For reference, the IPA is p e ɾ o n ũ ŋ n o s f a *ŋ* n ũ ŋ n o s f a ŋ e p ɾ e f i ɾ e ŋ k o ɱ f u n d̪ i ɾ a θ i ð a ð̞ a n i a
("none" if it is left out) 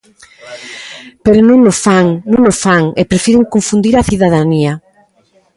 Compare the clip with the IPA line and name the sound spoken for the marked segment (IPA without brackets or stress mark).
ŋ